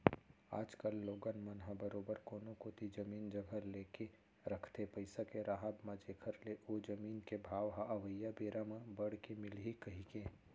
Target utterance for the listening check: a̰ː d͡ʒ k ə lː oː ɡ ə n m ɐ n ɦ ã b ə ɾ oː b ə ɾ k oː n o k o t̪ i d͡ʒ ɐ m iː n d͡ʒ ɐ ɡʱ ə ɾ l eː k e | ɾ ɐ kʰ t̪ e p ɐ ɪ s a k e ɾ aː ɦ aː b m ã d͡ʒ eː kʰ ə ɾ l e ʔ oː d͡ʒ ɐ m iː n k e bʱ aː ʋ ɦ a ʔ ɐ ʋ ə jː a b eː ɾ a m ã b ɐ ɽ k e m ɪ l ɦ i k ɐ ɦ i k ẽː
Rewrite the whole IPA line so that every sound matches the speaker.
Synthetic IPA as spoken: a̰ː d͡ʒ k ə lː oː ɡ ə n m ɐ n ɦ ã b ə ɾ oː b ə ɾ k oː n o k o t̪ i d͡ʒ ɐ m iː n d͡ʒ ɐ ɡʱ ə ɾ l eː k e | ɾ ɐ kʰ t̪ e p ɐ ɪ s a k e ɾ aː ɦ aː b m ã d͡ʒ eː kʰ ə ɾ l e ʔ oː d͡ʒ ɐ m iː n k e bʱ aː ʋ ɦ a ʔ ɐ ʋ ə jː a b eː ɾ a m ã b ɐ ɽ k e m ɪ l ɦ i k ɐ ɦ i k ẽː